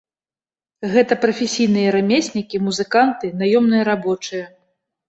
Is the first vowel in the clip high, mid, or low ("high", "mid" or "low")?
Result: mid